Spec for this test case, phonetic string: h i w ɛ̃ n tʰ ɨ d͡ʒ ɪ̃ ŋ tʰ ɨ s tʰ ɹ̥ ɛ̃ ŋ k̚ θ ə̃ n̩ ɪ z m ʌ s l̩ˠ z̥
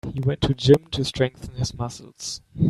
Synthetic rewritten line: h i w ɛ̃ n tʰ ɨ d͡ʒ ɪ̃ m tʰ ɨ s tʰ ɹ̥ ɛ̃ ŋ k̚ θ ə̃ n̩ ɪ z m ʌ s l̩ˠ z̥